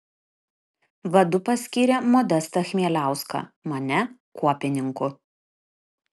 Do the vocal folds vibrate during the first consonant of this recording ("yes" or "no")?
yes